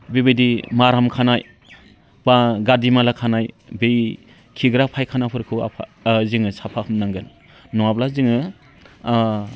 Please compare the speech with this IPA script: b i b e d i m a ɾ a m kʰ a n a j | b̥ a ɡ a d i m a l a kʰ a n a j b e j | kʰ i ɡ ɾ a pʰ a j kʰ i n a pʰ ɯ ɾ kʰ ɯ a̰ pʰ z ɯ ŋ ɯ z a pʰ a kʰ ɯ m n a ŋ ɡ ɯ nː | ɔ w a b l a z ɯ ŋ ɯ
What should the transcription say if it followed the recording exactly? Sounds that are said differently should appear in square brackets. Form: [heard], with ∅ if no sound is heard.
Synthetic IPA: b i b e d i m a ɾ a m kʰ a n a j | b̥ a ɡ a d i m a l a kʰ a n a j b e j | kʰ i ɡ ɾ a pʰ a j kʰ [a] n a pʰ ɯ ɾ kʰ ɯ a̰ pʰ z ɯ ŋ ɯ [s] a pʰ a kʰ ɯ m n a ŋ ɡ ɯ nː | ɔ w a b l a z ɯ ŋ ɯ